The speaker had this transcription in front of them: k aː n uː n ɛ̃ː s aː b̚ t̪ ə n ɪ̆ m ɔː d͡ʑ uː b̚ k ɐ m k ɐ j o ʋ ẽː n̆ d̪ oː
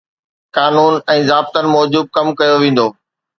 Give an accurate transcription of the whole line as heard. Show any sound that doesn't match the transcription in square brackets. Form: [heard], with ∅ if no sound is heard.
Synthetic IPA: k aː n uː n ɛ̃ː [z] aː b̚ t̪ ə n ɪ̆ m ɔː d͡ʑ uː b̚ k ɐ m k ɐ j o ʋ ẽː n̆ d̪ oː

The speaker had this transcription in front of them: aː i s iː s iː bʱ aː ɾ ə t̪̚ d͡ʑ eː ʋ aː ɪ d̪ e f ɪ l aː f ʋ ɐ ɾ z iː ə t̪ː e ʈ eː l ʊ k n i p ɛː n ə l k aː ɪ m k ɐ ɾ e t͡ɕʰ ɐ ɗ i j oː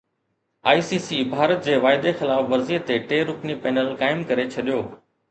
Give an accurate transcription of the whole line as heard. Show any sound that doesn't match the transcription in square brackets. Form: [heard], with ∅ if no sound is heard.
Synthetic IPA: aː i s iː s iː bʱ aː ɾ ə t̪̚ d͡ʑ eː ʋ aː ɪ d̪ e [x] ɪ l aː f ʋ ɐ ɾ z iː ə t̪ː e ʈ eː [ɾ] ʊ k n i p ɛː n ə l k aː ɪ m k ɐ ɾ e t͡ɕʰ ɐ ɗ i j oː

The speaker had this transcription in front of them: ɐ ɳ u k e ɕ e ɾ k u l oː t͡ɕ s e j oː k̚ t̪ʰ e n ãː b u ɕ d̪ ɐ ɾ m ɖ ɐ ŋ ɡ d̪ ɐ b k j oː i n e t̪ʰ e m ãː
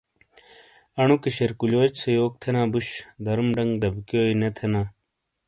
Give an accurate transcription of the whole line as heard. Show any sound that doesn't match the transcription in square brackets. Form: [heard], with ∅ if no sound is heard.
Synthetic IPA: ɐ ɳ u k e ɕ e ɾ k u l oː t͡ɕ s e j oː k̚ t̪ʰ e n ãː b u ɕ d̪ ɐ ɾ m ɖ ɐ ŋ ɡ d̪ ɐ b k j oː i n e t̪ʰ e [n] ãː

